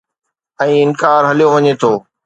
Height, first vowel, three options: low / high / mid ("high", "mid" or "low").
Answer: mid